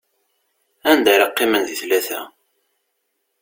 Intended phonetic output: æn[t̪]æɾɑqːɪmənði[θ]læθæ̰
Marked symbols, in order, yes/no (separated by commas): no, yes